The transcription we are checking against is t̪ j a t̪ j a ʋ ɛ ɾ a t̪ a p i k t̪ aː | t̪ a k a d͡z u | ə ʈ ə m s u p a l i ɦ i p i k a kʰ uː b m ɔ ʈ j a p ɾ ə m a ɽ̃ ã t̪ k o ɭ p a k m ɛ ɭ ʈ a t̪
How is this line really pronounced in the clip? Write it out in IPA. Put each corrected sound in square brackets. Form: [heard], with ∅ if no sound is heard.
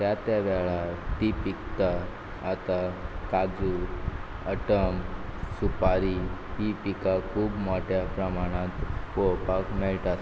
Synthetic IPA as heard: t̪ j a t̪ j a ʋ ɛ [ɭ] a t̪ [i] p i k t̪ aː | t̪ a k a d͡z u | ə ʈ ə m s u p a [ɾ] i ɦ i p i k a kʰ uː b m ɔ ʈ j a p ɾ ə m a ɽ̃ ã t̪ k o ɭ p a k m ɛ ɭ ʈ a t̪

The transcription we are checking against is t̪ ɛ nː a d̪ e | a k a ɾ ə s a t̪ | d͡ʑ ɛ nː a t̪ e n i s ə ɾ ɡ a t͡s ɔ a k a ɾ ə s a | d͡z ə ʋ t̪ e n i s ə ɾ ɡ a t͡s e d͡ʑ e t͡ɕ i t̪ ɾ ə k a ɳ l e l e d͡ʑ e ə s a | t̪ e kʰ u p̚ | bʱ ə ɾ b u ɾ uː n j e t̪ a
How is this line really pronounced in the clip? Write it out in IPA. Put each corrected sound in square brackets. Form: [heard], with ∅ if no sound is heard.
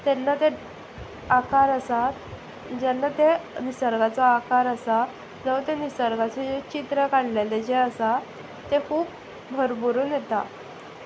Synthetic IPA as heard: t̪ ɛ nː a [t̪] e | a k a ɾ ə s a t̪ | d͡ʑ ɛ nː a t̪ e n i s ə ɾ ɡ a t͡s ɔ a k a ɾ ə s a | d͡z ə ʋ t̪ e n i s ə ɾ ɡ a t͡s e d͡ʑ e t͡ɕ i t̪ ɾ ə k a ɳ l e l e d͡ʑ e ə s a | t̪ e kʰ [uː] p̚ | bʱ ə ɾ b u ɾ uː n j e t̪ a

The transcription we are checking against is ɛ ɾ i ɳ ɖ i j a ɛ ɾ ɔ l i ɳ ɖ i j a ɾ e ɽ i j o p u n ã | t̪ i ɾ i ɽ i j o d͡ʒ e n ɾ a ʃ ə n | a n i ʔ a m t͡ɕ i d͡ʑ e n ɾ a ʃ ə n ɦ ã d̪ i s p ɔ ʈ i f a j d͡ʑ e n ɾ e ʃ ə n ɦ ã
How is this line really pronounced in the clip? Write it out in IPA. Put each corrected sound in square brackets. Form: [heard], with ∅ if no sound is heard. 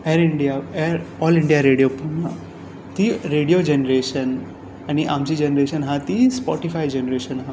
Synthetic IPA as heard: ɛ ɾ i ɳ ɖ i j a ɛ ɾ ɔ l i ɳ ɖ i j a ɾ e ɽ i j o p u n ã | t̪ i ɾ [e] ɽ i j o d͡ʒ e n ɾ [e] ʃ ə n | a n i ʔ a m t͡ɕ i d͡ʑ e n ɾ [e] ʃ ə n ɦ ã [t̪] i s p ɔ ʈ i f a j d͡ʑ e n ɾ e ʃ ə n ɦ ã

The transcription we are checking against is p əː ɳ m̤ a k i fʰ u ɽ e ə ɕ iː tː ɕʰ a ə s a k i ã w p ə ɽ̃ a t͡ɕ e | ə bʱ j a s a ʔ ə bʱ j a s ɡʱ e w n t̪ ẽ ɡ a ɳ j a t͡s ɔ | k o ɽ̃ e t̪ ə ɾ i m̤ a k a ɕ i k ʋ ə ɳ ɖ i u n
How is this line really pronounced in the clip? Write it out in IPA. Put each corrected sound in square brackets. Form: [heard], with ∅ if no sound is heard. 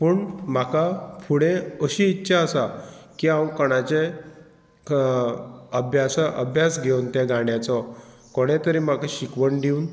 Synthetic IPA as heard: p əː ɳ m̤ a k [a] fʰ u ɽ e ə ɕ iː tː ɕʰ a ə s a k i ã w [k] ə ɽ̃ a t͡ɕ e | ə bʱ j a s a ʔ ə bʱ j a s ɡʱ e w n t̪ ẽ ɡ a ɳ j a t͡s ɔ | k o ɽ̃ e t̪ ə ɾ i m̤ a k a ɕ i k ʋ ə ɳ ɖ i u n

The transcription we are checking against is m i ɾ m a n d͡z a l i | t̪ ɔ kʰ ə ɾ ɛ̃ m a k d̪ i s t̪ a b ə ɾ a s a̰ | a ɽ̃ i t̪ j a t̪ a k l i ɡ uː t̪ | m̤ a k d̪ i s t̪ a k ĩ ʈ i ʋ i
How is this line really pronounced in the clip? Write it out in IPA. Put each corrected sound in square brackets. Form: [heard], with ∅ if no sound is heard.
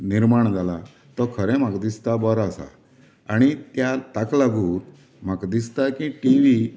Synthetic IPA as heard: [n] i ɾ m a [ɳ] d͡z a l [a] | t̪ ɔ kʰ ə ɾ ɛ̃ m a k d̪ i s t̪ a b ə ɾ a s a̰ | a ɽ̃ i t̪ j a t̪ a k l [a] ɡ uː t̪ | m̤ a k d̪ i s t̪ a k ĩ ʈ i ʋ i

